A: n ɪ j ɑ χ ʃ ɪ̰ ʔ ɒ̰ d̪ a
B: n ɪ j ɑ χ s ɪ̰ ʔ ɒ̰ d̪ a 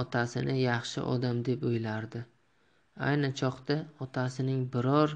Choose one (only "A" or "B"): A